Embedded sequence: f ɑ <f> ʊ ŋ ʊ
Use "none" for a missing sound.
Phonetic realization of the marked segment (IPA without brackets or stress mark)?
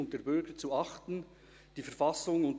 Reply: s